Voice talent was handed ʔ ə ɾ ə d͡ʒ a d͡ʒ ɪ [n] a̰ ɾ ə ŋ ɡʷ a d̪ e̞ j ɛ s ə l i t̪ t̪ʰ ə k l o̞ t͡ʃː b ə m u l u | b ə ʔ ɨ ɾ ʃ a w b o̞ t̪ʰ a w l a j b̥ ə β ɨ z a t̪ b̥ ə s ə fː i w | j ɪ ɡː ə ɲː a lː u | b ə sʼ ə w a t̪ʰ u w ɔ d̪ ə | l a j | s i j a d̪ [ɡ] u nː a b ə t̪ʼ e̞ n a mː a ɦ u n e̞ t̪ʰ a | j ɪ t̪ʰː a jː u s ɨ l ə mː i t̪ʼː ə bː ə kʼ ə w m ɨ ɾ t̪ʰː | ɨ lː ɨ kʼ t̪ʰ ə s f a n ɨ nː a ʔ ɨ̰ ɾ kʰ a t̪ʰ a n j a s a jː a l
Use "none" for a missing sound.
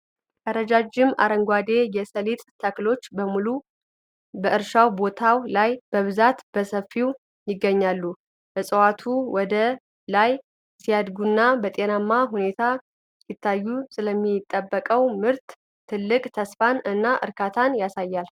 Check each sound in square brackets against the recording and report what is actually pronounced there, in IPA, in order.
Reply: m, ɡ

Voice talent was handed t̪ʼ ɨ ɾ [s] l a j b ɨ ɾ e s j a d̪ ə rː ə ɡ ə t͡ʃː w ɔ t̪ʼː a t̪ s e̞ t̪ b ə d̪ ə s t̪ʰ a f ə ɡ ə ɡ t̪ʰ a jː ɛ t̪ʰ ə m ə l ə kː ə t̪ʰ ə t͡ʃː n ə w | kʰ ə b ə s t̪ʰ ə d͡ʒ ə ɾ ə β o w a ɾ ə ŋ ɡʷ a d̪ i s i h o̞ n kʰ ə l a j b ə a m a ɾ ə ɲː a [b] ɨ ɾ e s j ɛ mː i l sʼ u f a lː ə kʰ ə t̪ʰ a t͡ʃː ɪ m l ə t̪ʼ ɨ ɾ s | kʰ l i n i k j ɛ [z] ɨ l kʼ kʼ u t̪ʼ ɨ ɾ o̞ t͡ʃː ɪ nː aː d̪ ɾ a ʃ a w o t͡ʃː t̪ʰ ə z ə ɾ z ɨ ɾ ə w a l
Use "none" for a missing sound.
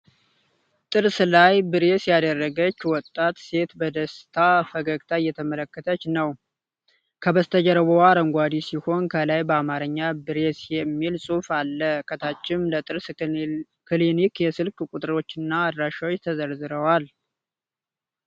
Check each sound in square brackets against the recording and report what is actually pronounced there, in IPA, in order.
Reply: s, b, s

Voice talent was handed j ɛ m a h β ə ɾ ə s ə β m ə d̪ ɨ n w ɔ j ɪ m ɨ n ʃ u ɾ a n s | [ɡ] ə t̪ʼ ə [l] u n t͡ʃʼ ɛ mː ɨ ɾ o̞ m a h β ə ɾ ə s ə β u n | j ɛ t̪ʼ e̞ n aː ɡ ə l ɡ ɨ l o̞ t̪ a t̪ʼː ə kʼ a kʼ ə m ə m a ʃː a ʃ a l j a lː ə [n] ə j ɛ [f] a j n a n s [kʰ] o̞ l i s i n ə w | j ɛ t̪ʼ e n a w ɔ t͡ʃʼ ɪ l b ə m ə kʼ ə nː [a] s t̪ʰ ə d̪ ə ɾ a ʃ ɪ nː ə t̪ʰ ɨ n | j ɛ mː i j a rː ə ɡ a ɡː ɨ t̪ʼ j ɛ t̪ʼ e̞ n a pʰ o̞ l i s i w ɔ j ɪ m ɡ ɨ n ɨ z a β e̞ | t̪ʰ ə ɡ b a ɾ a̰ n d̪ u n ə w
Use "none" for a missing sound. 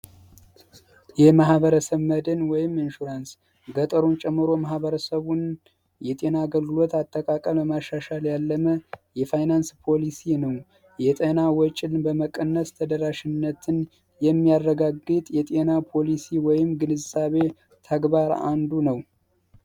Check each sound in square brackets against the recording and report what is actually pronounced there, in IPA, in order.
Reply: ɡ, ɾ, m, f, pʰ, ə

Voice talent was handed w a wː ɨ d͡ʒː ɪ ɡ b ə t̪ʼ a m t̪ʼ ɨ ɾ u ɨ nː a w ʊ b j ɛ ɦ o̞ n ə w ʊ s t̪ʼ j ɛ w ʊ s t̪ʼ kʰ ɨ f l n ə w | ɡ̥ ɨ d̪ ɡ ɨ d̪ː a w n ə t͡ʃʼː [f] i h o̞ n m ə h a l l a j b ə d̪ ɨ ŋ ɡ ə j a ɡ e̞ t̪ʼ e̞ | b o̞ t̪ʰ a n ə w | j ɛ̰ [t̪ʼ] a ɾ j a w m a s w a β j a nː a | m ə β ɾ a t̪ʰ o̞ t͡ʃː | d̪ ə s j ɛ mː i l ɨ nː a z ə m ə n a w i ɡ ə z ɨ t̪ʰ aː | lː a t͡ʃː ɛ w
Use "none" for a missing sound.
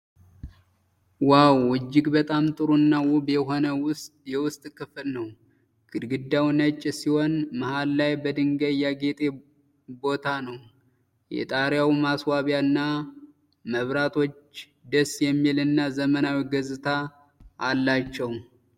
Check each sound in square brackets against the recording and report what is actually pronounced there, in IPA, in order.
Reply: s, t̪ʼ

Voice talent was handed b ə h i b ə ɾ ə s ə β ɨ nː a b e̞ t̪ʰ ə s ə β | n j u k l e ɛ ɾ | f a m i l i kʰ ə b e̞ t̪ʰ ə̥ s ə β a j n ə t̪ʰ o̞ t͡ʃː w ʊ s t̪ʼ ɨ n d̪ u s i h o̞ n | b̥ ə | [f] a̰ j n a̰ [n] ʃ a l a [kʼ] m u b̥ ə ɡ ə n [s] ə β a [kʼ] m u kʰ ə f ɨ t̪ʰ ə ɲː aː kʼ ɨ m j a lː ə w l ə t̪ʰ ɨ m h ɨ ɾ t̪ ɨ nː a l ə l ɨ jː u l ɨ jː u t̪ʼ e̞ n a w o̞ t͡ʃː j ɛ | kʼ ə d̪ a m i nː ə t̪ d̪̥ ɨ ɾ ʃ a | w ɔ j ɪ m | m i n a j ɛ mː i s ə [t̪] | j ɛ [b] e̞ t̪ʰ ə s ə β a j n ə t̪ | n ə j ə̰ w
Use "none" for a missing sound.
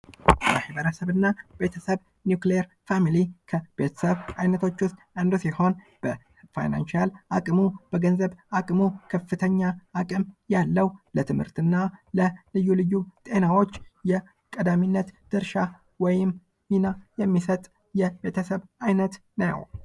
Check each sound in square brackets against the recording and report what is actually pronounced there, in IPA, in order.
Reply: f, n, kʼ, z, kʼ, t̪ʼ, b

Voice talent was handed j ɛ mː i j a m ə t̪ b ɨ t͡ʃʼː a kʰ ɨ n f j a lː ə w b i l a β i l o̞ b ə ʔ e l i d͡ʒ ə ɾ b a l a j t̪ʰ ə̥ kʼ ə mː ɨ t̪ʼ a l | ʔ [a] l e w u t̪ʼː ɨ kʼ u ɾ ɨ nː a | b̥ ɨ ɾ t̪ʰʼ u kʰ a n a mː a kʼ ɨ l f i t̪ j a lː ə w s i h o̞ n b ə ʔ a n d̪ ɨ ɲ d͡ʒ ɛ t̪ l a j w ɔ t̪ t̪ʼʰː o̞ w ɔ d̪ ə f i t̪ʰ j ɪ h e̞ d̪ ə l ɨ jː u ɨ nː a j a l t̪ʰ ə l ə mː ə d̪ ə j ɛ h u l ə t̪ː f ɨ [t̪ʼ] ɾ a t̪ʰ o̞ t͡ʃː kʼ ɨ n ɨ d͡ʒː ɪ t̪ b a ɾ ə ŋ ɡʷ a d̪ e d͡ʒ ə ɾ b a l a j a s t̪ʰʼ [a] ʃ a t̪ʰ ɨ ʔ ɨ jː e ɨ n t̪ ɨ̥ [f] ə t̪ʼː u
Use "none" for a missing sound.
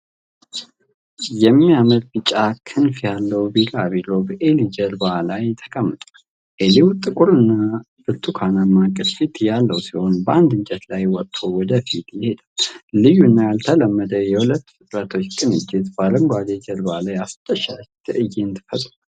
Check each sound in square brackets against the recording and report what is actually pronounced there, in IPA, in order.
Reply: e, t̪ʼ, ə, f

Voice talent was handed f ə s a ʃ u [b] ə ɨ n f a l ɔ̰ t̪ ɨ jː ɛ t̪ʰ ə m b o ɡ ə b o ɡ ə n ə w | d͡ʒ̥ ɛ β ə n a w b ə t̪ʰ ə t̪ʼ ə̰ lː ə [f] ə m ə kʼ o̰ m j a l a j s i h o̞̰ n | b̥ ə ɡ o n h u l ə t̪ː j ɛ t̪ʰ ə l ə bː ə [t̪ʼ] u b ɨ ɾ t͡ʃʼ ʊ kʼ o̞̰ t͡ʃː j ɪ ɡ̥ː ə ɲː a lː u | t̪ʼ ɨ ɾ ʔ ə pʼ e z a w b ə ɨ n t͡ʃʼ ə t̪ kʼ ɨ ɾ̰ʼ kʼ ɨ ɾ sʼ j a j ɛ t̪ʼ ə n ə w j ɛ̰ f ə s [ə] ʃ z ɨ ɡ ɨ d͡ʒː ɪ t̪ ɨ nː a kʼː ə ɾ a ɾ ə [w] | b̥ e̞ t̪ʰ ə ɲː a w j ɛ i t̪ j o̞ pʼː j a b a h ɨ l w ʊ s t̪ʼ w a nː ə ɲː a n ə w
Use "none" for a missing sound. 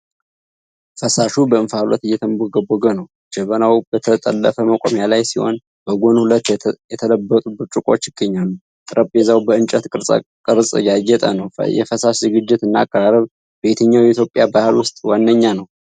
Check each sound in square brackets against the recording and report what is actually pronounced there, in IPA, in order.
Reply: b, f, t̪ʼ, a, β

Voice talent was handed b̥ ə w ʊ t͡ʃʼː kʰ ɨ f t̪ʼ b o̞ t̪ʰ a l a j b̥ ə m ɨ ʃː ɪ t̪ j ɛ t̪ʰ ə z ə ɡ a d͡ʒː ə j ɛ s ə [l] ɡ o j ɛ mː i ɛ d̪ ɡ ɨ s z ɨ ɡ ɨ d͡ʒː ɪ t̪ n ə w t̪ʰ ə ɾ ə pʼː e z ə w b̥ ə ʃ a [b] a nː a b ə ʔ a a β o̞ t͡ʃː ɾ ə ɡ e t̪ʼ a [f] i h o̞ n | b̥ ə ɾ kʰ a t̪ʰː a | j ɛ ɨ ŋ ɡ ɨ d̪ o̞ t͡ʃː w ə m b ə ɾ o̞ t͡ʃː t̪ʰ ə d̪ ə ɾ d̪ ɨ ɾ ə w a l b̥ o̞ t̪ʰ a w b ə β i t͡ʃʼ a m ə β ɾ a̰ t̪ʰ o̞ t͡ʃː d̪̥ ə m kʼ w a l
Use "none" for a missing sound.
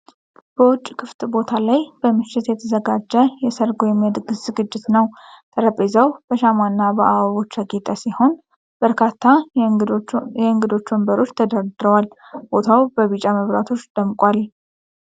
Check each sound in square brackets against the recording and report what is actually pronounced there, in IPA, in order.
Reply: ɾ, m, s

